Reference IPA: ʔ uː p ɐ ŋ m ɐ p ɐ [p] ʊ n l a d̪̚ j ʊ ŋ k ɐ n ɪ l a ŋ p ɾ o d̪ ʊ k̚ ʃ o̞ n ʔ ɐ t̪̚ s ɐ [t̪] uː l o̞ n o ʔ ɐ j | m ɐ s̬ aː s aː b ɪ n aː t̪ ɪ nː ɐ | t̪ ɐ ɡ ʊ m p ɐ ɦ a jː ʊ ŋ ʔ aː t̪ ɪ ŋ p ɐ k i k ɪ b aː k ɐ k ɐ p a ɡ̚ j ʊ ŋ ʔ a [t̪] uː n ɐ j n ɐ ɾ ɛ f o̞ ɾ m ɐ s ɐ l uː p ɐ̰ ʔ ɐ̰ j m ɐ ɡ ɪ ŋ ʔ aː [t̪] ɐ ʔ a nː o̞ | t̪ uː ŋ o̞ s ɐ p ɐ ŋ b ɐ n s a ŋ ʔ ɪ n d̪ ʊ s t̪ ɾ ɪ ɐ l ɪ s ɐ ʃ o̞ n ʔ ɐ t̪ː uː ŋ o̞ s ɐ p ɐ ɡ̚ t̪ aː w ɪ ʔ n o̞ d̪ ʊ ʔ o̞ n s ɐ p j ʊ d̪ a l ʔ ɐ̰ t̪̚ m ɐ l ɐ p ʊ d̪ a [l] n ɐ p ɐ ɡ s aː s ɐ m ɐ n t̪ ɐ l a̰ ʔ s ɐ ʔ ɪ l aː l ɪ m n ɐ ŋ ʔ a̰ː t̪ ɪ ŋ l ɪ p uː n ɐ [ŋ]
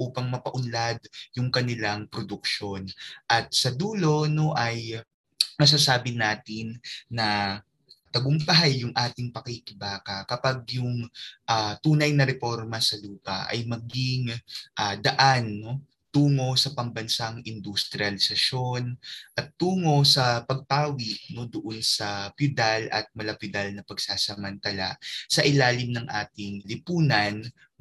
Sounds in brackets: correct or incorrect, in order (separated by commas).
incorrect, incorrect, correct, incorrect, correct, incorrect